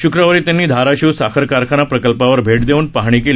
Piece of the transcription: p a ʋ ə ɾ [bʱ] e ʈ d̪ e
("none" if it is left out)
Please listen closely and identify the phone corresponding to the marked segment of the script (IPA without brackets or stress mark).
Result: bʱ